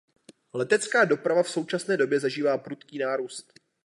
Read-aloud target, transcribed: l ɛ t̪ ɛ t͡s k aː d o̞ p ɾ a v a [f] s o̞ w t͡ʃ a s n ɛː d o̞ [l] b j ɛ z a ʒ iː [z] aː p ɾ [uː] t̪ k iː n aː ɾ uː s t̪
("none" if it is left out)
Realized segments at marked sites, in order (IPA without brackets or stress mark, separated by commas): f, none, v, u